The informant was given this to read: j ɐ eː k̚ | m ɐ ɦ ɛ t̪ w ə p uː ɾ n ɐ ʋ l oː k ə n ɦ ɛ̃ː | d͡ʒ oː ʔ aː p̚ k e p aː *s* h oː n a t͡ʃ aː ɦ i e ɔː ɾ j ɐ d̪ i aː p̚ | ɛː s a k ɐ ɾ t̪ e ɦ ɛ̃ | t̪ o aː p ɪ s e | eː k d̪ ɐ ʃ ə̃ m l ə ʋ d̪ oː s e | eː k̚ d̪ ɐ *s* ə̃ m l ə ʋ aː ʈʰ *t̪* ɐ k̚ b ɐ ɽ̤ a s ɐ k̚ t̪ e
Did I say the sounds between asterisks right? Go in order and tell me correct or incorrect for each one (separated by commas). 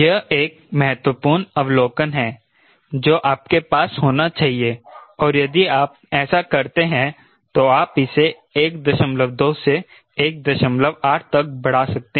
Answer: correct, incorrect, correct